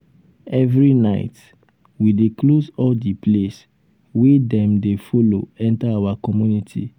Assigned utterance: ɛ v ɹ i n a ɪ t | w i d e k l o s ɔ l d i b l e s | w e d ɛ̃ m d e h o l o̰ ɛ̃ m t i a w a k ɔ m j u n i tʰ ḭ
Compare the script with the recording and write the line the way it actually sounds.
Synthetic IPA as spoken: ɛ v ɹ i n a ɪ t | w i d e k l o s ɔ l d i p l e s | w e d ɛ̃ m d e f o l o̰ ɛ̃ n t a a w a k ɔ m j u n i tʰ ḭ